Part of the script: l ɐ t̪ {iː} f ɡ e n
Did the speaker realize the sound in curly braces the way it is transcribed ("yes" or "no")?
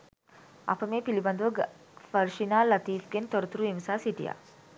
yes